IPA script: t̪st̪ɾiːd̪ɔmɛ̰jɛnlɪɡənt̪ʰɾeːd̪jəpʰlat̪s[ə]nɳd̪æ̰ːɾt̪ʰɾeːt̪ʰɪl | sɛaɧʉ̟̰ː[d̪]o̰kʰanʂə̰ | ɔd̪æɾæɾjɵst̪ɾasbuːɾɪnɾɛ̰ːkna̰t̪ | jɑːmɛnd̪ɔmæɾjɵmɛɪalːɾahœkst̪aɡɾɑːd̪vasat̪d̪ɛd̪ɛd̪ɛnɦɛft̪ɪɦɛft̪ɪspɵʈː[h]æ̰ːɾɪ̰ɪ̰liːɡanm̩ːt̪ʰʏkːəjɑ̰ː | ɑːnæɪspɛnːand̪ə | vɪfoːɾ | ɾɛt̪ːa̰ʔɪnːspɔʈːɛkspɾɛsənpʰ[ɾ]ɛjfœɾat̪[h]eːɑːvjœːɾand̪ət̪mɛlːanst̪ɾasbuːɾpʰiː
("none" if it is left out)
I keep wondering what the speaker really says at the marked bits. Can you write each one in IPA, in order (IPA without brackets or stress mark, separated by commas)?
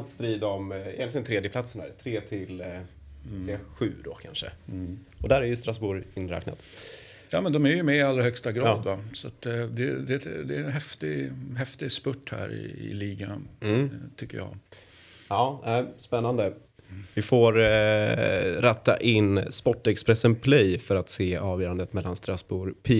ə, d̪, h, l, s